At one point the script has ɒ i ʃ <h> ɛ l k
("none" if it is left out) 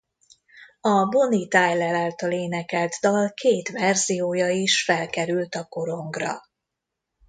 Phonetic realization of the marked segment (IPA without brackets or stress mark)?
f